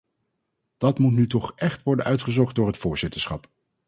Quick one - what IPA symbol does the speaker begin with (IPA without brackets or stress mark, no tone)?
d̥